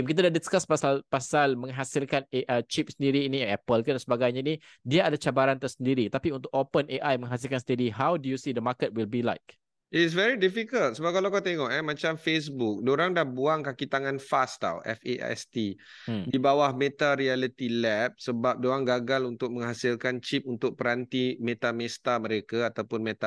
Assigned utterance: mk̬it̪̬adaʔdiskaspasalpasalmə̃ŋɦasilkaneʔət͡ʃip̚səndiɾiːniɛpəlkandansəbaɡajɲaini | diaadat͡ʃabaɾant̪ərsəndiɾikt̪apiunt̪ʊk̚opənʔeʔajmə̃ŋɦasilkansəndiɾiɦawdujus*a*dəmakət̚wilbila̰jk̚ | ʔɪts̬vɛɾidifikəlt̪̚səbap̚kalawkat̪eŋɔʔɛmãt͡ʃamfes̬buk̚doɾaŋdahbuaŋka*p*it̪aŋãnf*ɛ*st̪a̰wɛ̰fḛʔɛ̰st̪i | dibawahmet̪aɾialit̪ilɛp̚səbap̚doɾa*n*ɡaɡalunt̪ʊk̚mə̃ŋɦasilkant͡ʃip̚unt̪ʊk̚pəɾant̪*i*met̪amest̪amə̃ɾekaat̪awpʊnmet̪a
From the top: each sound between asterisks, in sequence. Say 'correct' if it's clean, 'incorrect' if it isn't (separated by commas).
incorrect, incorrect, incorrect, incorrect, correct